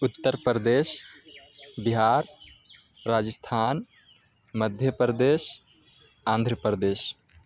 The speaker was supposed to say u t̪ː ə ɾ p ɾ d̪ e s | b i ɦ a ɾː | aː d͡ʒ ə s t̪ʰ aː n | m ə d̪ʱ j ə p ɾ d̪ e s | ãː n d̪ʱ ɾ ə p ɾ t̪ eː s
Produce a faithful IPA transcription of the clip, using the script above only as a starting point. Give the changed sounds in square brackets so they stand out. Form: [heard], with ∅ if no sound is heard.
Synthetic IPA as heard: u t̪ː ə ɾ p ɾ d̪ e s | b i ɦ a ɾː | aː d͡ʒ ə s t̪ʰ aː n | m ə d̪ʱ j ə p ɾ d̪ e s | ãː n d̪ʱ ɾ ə p ɾ [d̪] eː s